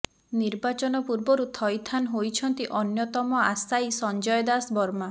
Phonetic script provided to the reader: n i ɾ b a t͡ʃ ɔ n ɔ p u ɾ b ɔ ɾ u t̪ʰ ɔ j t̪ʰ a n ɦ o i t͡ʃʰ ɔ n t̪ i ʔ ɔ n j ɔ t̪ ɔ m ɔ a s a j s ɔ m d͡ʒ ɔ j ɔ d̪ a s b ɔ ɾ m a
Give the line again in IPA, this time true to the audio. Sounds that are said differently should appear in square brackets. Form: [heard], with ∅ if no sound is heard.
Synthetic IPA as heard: n i ɾ b a t͡ʃ ɔ n ɔ p u ɾ b ɔ ɾ u t̪ʰ ɔ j t̪ʰ a n ɦ o [j] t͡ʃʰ ɔ n t̪ i ʔ ɔ n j ɔ t̪ ɔ m ɔ a s a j s ɔ [n] d͡ʒ ɔ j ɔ d̪ a s b ɔ ɾ m a